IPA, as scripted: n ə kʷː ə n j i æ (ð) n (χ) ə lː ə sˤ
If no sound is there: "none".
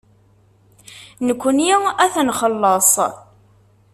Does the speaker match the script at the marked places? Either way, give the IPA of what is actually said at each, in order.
θ, χ

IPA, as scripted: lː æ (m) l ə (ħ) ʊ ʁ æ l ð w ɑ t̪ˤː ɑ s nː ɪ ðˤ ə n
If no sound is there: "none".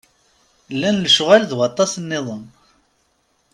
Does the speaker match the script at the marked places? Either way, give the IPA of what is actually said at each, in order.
n, ʃ

